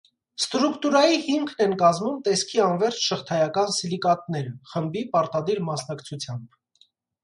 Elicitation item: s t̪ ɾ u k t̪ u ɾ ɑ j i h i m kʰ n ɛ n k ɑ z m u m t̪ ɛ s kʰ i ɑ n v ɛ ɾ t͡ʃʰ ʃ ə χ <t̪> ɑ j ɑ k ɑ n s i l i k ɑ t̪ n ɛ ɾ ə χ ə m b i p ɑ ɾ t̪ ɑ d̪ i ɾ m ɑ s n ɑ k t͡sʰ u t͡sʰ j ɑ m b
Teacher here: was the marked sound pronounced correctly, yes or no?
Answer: no